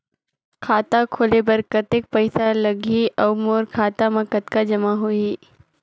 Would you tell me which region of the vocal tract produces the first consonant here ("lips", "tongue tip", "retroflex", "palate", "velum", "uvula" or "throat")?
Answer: velum